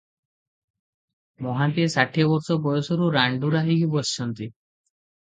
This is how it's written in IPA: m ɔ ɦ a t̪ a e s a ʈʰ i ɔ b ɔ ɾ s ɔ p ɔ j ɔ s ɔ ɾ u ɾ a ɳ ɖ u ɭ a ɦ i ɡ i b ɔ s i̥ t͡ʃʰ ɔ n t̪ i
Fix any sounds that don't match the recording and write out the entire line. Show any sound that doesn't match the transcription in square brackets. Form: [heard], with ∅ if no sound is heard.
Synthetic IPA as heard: m ɔ ɦ a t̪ [i] e s a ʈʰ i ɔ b ɔ ɾ s ɔ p ɔ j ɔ s ɔ ɾ u ɾ a ɳ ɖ u [ɾ] a ɦ i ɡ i b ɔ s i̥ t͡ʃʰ ɔ n t̪ i